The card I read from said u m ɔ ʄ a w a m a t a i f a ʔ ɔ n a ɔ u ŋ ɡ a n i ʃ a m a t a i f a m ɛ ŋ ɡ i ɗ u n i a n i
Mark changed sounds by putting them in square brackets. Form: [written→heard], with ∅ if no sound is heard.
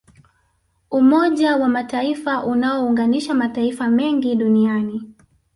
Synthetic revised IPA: u m ɔ ʄ a w a m a t a i f a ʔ [ɔ→u] n a ɔ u ŋ ɡ a n i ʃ a m a t a i f a m ɛ ŋ ɡ i ɗ u n i a n i